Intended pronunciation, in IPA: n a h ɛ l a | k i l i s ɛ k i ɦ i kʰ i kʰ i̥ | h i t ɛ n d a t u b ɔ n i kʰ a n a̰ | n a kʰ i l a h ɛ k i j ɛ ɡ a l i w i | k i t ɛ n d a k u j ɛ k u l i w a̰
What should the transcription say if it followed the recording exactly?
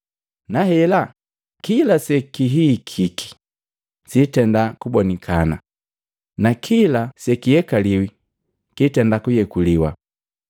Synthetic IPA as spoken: n a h ɛ l a | k i l a s ɛ k i ɦ i kʰ i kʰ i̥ | s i t ɛ n d a k u b ɔ n i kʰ a n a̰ | n a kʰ i l a s ɛ k i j ɛ k a l i w i | k i t ɛ n d a k u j ɛ k u l i w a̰